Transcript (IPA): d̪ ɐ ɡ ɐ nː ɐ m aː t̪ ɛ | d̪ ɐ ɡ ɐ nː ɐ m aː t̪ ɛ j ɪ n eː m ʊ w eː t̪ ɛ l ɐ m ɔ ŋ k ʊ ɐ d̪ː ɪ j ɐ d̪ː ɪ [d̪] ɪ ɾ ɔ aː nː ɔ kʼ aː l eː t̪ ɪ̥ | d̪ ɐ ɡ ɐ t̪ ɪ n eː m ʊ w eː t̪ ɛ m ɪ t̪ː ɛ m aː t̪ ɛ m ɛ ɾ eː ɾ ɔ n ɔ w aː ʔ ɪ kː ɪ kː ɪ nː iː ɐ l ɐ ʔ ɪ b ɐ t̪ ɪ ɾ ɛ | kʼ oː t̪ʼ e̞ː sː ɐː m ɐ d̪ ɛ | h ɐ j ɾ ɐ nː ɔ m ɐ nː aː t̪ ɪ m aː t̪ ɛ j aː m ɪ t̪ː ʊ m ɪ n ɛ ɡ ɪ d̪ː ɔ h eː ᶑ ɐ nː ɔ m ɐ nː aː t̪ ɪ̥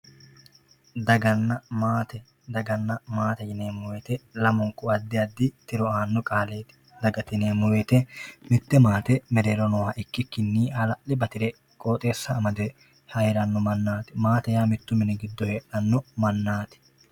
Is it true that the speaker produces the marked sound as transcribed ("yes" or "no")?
no